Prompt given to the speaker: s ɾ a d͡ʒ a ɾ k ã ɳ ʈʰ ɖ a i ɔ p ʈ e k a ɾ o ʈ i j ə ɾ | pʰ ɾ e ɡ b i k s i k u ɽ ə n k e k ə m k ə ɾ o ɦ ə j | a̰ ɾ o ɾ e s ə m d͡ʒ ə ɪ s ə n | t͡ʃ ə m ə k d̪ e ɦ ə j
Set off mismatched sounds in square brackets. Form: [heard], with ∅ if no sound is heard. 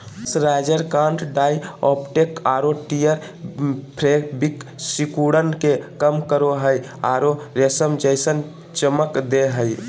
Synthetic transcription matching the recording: s ɾ a d͡ʒ [ə] ɾ k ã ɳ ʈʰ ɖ a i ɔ p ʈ e k a ɾ o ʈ i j ə ɾ | pʰ ɾ e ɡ b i k s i k u ɽ ə n k e k ə m k ə ɾ o ɦ ə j | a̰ ɾ o ɾ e s ə m d͡ʒ ə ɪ s ə n | t͡ʃ ə m ə k d̪ e ɦ ə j